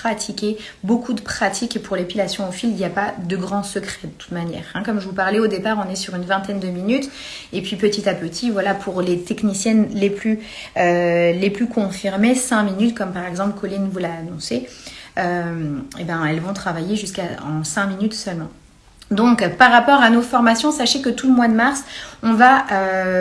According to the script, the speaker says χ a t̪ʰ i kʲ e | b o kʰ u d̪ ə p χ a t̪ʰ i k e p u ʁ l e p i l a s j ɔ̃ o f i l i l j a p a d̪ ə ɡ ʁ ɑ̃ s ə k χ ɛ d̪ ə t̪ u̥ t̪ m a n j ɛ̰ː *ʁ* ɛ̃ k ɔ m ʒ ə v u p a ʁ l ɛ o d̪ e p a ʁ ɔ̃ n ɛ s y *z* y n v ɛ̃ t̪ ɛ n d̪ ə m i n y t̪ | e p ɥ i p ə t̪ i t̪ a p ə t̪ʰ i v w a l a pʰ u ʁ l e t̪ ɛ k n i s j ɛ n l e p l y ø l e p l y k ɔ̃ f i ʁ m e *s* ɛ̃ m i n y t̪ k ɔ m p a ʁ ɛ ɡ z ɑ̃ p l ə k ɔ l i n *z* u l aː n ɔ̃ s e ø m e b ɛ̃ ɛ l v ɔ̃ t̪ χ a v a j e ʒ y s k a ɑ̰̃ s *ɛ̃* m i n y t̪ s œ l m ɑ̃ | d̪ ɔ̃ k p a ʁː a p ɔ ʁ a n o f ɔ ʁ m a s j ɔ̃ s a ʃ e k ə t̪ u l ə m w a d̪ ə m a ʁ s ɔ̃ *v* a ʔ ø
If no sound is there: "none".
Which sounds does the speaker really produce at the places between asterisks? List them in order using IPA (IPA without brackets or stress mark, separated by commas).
ʁ, ʁ, s, v, ɛ̃, v